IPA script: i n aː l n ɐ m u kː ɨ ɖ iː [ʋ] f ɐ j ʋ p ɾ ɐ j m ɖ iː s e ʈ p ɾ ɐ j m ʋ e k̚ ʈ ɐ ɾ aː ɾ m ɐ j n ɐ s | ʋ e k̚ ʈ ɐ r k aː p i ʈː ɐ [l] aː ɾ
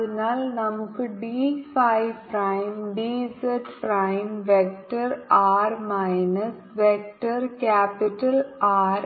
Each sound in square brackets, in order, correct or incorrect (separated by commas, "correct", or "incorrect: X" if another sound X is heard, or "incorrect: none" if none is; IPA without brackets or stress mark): incorrect: none, correct